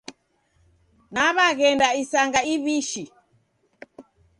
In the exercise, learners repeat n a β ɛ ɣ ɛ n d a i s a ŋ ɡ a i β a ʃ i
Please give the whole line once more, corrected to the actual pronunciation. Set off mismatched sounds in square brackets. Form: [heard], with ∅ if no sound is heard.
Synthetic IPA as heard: n a β [a] ɣ ɛ n d a i s a ŋ ɡ a i β [i] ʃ i